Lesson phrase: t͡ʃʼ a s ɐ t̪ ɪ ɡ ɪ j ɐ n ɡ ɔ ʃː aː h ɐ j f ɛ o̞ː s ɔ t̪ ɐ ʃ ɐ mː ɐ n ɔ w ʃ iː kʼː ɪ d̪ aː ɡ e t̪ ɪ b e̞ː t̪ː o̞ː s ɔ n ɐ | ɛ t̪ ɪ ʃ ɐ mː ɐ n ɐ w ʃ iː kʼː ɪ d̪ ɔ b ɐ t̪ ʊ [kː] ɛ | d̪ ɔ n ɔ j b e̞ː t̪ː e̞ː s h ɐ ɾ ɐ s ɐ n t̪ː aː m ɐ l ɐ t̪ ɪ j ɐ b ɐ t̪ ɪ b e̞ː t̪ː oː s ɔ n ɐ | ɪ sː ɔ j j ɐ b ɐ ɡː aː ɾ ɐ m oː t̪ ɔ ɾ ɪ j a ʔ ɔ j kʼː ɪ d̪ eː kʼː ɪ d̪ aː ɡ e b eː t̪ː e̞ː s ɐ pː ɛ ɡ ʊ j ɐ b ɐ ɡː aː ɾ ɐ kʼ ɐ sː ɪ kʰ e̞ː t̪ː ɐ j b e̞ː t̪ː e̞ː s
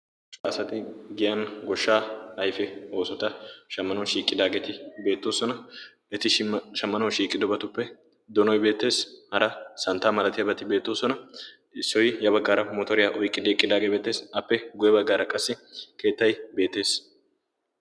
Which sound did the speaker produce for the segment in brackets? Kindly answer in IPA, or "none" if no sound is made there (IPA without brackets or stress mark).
pː